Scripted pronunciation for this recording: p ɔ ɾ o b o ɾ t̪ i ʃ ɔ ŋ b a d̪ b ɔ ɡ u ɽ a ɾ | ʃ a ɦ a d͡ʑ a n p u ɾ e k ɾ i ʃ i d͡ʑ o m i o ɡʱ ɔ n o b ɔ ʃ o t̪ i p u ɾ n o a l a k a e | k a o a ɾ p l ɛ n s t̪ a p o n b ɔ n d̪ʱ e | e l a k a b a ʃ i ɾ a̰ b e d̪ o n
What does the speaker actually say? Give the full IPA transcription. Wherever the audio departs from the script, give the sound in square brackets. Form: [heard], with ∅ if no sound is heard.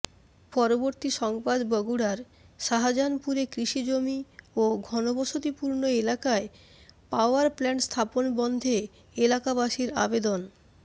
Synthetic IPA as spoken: p ɔ ɾ o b o ɾ t̪ i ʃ ɔ ŋ b a d̪ b ɔ ɡ u ɽ a ɾ | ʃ a ɦ a d͡ʑ a n p u ɾ e k ɾ i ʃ i d͡ʑ o m i o ɡʱ ɔ n o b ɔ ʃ o t̪ i p u ɾ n o [e] l a k a e | [p] a o a ɾ p l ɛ n s [t̪ʰ] a p o n b ɔ n d̪ʱ e | e l a k a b a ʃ i ɾ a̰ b e d̪ o n